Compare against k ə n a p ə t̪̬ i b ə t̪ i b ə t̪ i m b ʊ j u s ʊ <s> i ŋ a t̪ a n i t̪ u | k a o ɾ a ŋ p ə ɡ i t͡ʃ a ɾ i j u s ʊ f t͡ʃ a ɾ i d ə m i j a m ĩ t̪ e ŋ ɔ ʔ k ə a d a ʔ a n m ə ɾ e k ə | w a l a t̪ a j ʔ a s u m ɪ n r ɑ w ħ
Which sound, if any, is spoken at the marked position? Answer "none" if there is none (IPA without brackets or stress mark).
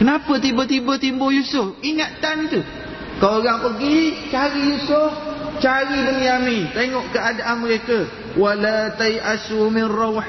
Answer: f